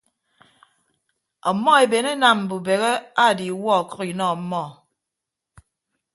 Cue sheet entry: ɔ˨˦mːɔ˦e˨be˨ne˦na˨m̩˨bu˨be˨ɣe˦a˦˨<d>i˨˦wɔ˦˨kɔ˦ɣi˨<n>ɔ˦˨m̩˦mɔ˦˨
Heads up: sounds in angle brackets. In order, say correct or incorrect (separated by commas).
correct, correct